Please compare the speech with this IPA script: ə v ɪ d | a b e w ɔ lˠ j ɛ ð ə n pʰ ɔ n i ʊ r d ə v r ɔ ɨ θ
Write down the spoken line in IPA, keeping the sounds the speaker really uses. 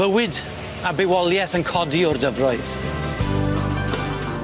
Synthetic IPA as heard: ə w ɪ d | a b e w ɔ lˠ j ɛ θ ə n kʰ ɔ d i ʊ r d ə v r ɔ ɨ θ